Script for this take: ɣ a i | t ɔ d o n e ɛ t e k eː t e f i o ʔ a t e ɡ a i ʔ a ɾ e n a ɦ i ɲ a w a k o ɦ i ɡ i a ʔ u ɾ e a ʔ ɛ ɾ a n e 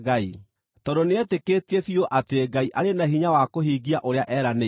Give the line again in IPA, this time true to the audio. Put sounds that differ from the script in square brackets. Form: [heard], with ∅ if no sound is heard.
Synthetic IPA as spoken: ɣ a i | t ɔ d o n e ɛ t e k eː t e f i o ʔ a t e ɡ a i ʔ a ɾ e n a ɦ i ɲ a w a k o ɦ i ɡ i a ʔ [o] ɾ e a ʔ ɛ ɾ a n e